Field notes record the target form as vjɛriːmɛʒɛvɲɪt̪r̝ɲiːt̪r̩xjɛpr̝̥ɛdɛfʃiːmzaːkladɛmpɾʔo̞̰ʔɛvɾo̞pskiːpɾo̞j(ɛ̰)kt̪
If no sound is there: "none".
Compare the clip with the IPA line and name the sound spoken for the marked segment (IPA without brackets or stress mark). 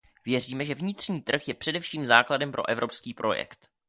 ɛ̰